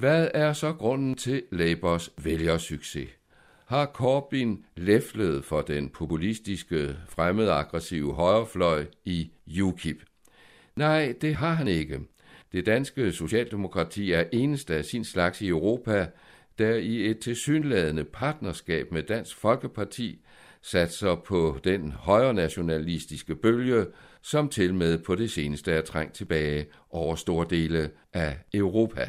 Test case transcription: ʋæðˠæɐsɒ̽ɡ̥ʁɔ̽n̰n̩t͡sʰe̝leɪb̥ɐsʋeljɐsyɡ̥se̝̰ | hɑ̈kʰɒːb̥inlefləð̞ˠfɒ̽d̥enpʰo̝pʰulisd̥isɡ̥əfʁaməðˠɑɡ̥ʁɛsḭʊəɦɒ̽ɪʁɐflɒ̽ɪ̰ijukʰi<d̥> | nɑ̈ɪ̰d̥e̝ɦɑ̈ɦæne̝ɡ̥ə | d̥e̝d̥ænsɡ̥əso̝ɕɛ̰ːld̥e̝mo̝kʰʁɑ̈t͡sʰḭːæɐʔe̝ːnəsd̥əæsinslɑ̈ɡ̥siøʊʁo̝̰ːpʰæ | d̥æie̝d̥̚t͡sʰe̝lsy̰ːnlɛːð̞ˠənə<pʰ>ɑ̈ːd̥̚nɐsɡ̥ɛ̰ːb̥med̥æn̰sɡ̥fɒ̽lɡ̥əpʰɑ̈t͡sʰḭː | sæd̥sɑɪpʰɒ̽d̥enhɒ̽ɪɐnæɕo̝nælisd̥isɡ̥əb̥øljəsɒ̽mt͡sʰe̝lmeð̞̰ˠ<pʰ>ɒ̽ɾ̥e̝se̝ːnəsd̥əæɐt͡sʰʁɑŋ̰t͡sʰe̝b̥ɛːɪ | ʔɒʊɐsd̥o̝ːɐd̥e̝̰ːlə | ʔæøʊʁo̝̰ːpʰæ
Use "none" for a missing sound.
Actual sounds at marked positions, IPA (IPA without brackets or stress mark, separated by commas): b̥, pʰ, pʰ